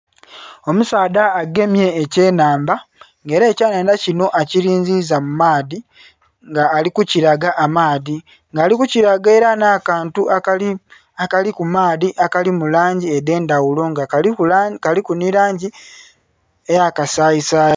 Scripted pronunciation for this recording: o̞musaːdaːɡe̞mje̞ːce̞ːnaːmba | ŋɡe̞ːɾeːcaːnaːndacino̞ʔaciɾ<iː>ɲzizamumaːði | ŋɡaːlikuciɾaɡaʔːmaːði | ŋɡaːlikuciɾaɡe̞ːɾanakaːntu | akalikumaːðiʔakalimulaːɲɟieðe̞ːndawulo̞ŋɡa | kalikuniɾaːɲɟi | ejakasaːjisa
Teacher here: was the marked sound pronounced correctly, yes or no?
yes